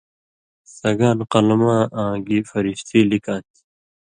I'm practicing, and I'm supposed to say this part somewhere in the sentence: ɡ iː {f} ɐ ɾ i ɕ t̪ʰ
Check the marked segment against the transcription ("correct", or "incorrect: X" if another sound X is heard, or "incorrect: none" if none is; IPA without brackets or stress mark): correct